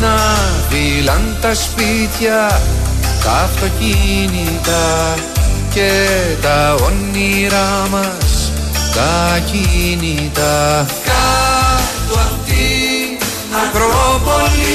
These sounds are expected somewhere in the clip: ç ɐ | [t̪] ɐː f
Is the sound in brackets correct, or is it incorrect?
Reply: correct